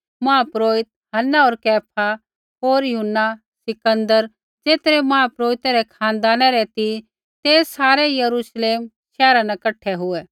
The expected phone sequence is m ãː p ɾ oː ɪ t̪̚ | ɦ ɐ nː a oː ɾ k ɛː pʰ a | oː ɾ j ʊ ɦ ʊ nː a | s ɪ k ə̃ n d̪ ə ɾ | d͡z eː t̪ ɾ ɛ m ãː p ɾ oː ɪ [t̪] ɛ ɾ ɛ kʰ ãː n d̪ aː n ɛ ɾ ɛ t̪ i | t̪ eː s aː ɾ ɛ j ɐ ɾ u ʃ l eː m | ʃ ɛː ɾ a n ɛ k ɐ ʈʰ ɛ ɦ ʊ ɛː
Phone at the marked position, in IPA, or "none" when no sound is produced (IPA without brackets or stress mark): t̪